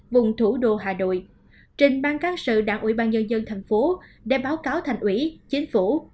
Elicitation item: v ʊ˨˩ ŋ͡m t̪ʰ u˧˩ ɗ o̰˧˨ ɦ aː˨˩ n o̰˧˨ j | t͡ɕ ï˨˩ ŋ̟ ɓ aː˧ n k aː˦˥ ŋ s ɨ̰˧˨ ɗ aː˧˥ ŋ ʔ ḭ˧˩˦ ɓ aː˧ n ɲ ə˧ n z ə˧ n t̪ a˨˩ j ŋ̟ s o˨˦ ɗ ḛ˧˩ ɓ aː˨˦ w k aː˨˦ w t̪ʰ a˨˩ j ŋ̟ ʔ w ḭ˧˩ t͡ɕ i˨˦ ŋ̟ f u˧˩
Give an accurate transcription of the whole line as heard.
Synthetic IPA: v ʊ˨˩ ŋ͡m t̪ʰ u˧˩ ɗ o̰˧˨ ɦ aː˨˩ n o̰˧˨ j | t͡ɕ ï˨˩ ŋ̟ ɓ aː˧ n k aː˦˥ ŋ s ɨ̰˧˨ ɗ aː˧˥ ŋ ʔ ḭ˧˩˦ ɓ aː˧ n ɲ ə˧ n z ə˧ n t̪ʰ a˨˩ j ŋ̟ f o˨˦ ɗ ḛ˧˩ ɓ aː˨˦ w k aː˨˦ w t̪ʰ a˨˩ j ŋ̟ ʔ w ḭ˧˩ t͡ɕ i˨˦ ŋ̟ f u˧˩

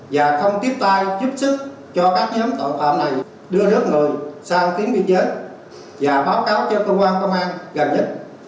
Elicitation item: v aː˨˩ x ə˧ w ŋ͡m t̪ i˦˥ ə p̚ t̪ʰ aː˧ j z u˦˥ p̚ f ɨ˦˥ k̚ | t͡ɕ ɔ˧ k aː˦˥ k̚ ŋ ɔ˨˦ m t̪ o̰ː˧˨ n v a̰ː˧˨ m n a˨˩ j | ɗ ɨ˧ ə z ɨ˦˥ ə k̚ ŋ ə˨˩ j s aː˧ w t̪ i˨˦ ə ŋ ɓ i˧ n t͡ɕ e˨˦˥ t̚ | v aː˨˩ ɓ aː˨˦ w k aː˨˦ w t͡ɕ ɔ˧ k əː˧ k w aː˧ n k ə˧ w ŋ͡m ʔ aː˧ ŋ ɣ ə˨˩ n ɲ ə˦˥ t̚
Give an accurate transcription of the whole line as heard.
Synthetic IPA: v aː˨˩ x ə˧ w ŋ͡m t̪ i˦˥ ə p̚ t̪ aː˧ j z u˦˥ p̚ s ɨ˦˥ k̚ | t͡ɕ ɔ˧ k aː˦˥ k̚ ɲ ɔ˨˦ m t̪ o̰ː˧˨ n f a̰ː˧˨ m n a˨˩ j | ɗ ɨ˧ ə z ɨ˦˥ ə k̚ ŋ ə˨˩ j s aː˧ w t̪ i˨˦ ə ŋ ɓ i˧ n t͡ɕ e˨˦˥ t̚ | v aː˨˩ ɓ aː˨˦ w k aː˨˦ w t͡ɕ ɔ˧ k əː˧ k w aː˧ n k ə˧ w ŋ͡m ʔ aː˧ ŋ ɣ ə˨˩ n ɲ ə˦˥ t̚

